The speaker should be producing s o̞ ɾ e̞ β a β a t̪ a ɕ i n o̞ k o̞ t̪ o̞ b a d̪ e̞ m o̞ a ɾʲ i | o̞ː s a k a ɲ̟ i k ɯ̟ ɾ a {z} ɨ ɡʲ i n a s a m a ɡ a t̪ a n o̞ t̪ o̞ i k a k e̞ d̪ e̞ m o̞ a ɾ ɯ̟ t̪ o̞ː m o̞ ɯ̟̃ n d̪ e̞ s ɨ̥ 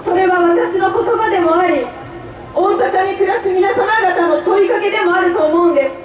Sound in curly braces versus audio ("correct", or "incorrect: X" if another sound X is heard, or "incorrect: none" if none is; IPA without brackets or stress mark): incorrect: s